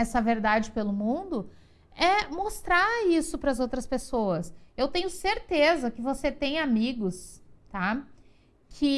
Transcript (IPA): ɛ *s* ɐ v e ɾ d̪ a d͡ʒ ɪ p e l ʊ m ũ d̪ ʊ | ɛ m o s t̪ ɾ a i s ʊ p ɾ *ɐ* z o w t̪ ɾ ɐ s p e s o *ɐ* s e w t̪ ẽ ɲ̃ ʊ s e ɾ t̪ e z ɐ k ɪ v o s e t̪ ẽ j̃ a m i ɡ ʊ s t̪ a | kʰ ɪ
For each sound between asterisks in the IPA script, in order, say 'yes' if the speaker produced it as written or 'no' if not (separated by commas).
yes, yes, yes